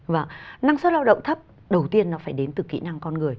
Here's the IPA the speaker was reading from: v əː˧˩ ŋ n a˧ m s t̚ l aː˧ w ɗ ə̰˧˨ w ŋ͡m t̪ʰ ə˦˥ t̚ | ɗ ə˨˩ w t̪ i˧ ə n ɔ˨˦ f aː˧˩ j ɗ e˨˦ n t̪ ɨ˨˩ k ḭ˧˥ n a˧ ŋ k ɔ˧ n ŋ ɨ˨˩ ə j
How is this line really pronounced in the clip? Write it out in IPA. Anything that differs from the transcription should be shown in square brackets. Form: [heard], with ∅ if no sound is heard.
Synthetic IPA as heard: v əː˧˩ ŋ n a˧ [ŋ] s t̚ l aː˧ w ɗ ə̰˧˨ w ŋ͡m t̪ʰ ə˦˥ [p̚] | ɗ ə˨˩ w t̪ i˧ ə [nː] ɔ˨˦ f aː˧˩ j ɗ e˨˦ n t̪ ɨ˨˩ k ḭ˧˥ n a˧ ŋ k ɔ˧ n ŋ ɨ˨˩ ə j